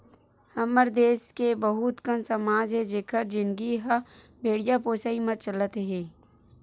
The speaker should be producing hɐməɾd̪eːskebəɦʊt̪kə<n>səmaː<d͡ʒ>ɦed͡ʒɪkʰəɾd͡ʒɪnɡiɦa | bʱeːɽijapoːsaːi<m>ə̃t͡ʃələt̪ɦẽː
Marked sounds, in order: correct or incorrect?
correct, correct, correct

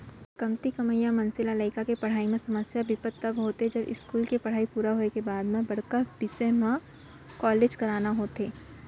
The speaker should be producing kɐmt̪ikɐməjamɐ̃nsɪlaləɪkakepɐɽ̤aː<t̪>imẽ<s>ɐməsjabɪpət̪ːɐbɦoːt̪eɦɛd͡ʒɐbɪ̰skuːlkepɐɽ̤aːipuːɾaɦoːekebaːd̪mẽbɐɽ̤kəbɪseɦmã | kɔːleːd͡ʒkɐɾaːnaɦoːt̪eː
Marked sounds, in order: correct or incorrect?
incorrect: none, correct

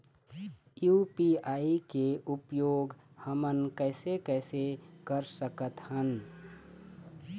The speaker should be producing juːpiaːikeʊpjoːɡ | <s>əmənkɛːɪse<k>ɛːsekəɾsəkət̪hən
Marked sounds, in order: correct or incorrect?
incorrect: h, correct

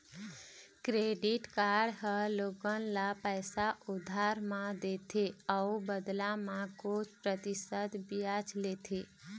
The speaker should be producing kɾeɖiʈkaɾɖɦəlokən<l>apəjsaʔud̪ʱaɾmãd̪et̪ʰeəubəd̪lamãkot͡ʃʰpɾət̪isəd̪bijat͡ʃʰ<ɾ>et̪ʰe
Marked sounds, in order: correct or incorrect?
correct, incorrect: l

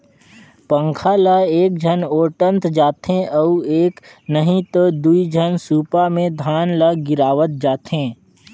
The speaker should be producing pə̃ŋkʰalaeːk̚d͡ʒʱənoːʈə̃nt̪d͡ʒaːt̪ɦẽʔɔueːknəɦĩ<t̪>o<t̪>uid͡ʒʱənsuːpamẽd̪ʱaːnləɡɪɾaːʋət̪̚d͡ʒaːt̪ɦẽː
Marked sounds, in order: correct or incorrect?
correct, incorrect: d̪

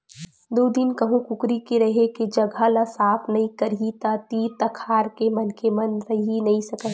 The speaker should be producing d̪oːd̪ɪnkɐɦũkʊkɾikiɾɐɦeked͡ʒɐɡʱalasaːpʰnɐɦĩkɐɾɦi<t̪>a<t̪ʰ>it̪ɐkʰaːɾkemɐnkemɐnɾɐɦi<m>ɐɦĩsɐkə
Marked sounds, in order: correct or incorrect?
correct, incorrect: t̪, incorrect: n

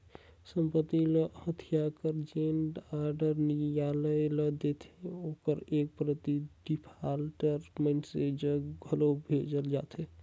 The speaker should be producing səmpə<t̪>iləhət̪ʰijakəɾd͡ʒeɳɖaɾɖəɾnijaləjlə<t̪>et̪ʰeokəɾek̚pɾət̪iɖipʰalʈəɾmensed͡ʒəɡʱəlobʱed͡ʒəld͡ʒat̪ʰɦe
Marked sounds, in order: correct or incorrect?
correct, incorrect: d̪

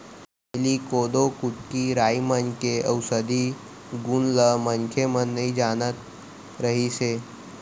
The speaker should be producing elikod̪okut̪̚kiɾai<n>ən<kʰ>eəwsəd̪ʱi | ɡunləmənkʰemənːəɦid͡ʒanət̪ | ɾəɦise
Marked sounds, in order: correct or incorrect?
incorrect: m, incorrect: k

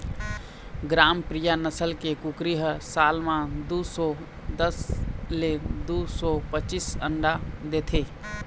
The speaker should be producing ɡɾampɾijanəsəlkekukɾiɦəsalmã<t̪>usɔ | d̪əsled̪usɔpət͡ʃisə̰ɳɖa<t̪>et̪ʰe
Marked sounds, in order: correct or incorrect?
incorrect: d̪, incorrect: d̪

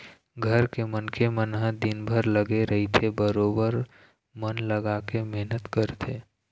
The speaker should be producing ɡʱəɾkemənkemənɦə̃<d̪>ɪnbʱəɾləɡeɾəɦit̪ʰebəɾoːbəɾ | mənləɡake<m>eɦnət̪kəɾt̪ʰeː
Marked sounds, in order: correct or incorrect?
correct, correct

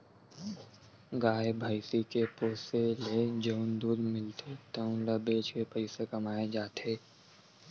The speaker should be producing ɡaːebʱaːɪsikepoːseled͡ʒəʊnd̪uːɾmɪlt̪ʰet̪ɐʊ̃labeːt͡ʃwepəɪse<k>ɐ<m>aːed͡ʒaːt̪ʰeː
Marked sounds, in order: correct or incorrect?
correct, correct

